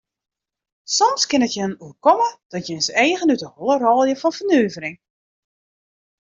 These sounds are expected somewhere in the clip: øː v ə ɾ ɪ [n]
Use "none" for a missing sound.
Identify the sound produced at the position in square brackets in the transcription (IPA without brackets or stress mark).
ŋ